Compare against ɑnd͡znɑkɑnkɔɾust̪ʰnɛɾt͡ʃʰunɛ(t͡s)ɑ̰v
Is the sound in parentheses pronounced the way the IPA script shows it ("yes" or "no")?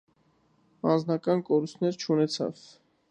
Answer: no